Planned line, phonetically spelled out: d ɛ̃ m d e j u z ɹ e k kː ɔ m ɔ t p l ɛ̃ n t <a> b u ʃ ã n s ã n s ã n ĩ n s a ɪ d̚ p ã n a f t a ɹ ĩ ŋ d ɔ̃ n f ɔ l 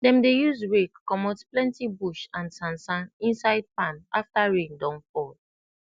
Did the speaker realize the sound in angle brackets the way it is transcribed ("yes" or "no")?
no